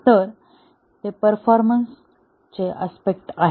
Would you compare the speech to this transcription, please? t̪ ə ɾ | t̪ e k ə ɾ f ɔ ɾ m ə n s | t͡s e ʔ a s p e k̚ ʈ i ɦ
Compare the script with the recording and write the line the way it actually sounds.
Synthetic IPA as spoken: t̪ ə ɾ | t̪ e p ə ɾ f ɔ ɾ m ə n s | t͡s e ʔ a s p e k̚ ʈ a ɦ